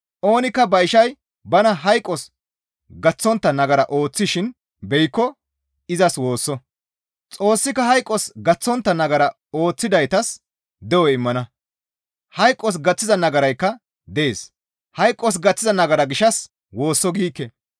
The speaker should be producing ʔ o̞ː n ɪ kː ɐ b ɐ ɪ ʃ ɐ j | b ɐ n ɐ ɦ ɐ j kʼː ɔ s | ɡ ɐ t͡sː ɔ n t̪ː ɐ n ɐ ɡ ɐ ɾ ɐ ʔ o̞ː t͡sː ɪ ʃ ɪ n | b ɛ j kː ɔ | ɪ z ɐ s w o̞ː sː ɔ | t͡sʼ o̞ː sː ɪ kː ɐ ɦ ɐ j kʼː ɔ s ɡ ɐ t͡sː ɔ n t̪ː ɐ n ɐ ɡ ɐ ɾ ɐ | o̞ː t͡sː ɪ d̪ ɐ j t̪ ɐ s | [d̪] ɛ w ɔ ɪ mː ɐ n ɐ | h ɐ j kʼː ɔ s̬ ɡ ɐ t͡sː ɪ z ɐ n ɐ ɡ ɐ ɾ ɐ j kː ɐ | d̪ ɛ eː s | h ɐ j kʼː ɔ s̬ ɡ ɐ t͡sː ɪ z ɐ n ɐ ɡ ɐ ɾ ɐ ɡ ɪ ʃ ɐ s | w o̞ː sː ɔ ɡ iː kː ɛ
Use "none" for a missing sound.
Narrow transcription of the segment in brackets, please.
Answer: d̪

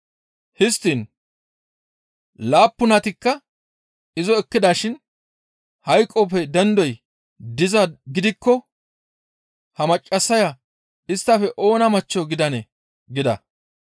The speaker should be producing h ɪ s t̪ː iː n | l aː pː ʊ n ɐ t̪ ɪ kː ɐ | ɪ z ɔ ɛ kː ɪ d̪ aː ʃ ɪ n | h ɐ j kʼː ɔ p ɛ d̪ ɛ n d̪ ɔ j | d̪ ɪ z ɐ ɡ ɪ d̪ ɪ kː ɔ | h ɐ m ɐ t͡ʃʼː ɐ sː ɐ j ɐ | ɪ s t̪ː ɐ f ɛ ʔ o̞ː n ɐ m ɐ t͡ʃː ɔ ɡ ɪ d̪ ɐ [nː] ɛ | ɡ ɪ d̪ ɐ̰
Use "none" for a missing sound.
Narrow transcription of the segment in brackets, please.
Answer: n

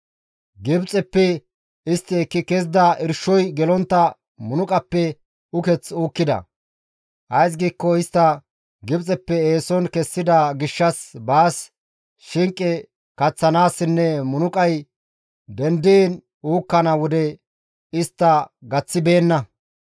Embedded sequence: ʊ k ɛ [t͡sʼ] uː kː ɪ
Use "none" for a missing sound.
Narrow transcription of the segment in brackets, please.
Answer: t͡s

